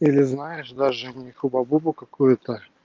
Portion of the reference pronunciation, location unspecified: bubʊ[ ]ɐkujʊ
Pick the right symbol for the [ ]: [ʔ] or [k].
k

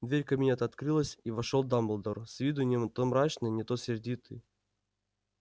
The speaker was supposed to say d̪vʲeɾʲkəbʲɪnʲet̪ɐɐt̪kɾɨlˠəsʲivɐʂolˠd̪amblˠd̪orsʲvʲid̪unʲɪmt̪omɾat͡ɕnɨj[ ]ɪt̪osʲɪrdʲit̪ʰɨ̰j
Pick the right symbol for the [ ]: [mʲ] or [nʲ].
nʲ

